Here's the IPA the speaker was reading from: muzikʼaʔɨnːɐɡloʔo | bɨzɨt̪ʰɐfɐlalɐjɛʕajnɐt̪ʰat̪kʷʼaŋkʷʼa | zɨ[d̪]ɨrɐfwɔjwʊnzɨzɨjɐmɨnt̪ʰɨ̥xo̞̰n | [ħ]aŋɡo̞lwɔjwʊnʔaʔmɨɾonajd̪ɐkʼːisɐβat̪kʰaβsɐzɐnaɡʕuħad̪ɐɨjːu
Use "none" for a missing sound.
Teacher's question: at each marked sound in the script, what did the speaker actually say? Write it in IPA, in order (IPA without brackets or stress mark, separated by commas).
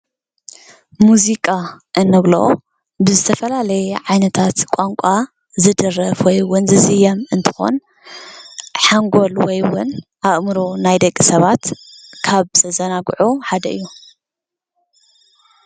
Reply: d̪, ħ